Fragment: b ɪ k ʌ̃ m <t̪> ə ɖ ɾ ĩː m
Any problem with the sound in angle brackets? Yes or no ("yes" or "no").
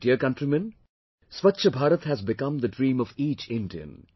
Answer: yes